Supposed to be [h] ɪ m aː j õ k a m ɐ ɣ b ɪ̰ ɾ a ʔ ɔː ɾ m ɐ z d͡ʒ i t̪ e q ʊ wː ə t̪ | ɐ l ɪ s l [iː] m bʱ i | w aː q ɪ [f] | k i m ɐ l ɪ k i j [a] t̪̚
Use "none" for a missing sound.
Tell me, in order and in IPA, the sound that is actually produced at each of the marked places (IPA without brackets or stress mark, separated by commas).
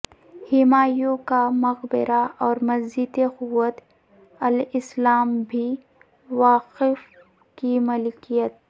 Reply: h, aː, f, ə